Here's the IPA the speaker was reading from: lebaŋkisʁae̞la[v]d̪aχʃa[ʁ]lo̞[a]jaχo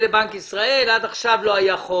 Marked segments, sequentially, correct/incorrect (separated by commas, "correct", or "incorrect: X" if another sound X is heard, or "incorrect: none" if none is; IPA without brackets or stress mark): incorrect: none, incorrect: v, correct